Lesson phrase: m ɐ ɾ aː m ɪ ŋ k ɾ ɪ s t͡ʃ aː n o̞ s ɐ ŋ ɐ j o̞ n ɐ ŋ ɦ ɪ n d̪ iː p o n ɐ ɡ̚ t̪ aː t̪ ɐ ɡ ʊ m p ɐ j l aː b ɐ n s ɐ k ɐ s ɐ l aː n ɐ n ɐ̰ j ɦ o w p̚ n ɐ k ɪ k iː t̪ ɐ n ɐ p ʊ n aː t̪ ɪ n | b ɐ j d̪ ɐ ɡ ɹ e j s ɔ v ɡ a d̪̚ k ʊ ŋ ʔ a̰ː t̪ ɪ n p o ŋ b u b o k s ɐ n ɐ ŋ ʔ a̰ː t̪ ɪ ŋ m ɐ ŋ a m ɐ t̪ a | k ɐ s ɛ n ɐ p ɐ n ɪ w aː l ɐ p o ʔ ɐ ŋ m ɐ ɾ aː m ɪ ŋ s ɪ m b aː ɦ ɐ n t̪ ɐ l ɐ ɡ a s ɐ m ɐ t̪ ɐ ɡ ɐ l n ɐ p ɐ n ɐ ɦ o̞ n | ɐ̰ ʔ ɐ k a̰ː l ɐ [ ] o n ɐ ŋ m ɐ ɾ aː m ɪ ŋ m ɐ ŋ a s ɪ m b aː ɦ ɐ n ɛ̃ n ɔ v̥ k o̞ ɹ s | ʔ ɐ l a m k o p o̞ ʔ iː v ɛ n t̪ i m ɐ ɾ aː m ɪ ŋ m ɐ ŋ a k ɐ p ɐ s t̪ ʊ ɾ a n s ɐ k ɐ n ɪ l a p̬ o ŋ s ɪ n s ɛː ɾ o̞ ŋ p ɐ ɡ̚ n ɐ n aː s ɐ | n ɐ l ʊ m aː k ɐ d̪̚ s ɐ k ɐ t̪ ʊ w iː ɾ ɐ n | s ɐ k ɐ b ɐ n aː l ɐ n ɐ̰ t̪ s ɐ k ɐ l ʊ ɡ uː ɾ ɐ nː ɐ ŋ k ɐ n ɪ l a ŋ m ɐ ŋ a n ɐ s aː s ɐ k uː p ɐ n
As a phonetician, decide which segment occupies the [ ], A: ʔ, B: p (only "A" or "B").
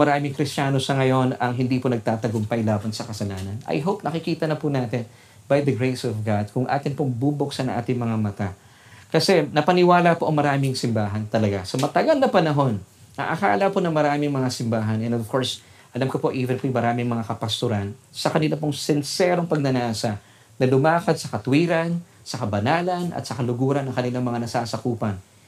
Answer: B